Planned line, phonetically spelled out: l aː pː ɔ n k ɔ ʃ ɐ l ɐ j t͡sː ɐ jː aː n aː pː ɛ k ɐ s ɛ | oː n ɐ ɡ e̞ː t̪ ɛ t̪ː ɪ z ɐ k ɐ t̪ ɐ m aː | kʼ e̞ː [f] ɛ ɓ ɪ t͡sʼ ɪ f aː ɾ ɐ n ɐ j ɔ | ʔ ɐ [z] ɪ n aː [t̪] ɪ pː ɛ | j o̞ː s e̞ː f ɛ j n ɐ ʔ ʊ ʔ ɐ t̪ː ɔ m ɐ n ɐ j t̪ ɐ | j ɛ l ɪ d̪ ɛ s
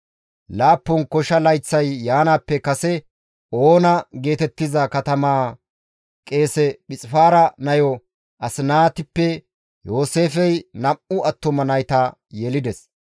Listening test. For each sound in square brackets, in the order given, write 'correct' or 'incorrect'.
incorrect, incorrect, correct

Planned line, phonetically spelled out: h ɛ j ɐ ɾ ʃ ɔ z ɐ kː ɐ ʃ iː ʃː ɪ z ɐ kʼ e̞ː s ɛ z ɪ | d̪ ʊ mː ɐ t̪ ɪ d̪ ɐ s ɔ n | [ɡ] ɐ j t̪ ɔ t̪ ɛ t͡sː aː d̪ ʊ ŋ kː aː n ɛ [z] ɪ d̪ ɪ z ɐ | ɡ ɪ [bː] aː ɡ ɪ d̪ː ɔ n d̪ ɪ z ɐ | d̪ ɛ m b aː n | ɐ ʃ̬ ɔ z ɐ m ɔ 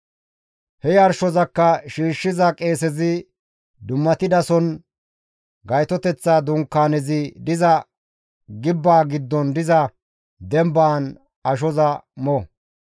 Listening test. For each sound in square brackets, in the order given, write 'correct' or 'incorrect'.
correct, correct, correct

